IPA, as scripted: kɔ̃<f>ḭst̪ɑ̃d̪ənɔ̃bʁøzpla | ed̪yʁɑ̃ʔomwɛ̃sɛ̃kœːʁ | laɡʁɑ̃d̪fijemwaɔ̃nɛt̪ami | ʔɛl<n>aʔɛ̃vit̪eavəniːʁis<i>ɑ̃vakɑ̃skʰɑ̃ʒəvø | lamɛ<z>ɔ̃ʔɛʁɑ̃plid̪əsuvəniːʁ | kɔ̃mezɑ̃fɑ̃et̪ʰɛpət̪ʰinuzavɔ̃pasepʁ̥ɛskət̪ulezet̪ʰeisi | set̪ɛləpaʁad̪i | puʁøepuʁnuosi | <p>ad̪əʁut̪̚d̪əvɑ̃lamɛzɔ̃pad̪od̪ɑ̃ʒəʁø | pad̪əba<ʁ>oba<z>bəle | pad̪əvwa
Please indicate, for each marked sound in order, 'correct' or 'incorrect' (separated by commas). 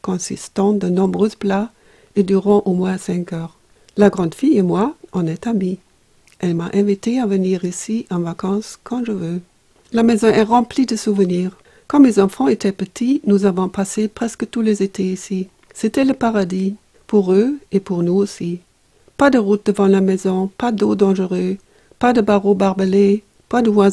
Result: incorrect, incorrect, correct, correct, correct, correct, incorrect